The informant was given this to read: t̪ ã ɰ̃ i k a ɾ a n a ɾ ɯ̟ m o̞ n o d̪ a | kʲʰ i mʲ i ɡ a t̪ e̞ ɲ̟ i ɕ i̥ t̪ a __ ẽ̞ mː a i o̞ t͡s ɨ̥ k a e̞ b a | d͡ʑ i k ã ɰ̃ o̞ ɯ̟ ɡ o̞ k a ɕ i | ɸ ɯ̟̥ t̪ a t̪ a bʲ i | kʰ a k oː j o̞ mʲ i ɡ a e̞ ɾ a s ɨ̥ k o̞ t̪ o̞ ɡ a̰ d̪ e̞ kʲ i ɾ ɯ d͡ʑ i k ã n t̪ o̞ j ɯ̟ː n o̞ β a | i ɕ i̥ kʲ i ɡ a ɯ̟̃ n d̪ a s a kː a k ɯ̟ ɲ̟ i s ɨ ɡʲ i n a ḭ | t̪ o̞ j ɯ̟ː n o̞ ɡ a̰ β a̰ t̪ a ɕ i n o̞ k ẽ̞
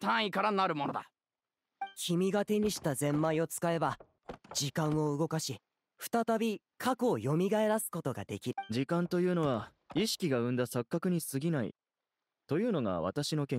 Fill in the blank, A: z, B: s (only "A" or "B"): A